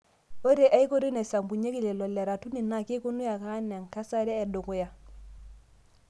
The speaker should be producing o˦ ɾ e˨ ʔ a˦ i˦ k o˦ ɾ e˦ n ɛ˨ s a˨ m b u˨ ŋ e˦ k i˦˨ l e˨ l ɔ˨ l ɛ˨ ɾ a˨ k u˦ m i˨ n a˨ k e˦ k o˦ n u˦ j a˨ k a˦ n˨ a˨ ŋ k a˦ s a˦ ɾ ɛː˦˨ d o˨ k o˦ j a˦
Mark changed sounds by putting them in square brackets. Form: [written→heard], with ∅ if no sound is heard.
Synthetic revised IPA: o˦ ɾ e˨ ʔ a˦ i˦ k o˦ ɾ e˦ n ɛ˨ s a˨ m b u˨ [ŋ→ɲ] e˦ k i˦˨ l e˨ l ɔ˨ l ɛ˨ ɾ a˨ [k→t] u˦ [m→n] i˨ n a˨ k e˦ k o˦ n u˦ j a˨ k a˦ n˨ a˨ ŋ k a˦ s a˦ ɾ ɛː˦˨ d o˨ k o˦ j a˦

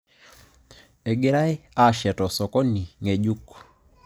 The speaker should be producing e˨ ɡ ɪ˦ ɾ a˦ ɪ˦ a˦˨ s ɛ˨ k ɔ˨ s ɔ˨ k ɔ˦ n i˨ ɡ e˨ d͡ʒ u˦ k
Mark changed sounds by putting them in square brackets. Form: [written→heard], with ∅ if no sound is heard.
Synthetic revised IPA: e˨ ɡ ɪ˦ ɾ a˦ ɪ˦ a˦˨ [s→ʃ] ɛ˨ [k→t] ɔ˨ s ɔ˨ k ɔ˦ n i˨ [ɡ→ŋ] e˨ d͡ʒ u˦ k

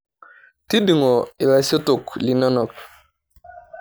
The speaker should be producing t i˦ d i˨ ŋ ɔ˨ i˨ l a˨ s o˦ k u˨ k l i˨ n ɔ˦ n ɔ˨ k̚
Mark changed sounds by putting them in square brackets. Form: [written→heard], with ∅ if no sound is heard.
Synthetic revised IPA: t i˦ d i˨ ŋ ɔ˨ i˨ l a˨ s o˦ [k→t] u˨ k l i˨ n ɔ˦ n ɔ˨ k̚

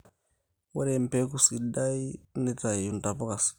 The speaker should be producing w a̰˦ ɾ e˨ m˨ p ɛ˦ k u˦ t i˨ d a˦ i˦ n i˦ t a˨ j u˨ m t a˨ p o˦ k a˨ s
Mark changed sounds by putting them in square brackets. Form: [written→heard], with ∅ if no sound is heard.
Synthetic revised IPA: w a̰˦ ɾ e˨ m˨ p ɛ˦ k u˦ [t→s] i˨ d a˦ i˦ n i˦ t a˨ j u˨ [m→n] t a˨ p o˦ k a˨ s

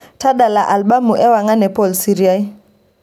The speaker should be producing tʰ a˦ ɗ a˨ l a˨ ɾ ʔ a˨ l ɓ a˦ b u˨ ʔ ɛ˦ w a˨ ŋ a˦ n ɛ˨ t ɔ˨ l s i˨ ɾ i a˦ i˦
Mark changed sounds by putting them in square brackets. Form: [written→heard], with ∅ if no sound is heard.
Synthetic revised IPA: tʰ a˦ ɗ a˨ l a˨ [ɾ→∅] ʔ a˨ l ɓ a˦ [b→m] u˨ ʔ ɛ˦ w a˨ ŋ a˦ n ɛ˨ [t→p] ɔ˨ l s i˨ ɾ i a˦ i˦

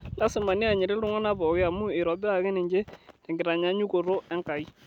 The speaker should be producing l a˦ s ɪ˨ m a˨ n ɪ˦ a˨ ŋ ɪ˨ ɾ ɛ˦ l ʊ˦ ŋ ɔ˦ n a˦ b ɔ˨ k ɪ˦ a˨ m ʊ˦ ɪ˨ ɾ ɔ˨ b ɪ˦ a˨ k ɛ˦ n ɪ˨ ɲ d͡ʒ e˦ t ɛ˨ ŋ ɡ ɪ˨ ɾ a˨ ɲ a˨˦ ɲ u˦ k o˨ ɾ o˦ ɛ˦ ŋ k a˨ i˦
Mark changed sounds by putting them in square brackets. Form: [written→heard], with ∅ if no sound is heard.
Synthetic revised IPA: l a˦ s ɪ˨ m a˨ n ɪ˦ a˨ [ŋ→ɲ] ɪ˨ ɾ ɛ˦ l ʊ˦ ŋ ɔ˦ n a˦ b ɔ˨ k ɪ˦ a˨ m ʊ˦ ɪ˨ ɾ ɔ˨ b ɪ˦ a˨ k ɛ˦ n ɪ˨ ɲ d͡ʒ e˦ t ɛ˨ ŋ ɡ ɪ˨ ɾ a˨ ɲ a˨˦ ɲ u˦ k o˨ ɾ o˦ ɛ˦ ŋ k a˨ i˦

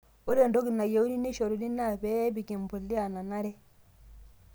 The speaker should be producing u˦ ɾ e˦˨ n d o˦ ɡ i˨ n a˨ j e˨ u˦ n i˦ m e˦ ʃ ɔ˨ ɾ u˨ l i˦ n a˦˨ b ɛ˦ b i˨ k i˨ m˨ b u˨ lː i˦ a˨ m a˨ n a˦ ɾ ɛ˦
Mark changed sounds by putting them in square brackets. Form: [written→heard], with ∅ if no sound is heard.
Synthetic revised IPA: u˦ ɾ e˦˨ n d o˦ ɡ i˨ n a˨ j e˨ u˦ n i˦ [m→n] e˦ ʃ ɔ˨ ɾ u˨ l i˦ n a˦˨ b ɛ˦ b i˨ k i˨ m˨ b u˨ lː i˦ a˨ [m→n] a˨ n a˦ ɾ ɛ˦

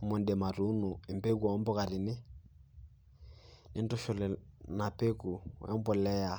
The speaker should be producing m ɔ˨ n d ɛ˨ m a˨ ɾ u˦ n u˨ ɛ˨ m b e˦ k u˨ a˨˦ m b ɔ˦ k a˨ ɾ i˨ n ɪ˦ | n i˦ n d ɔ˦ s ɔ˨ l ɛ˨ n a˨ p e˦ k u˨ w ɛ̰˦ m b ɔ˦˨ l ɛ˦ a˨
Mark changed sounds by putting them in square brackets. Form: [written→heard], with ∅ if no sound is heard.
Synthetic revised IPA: m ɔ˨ n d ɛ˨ m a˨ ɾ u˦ n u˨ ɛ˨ m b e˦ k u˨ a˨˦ m b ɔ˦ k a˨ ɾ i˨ n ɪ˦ | n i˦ n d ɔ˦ [s→ʃ] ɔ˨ l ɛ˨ n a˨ p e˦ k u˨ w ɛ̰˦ m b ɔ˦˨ l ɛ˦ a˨

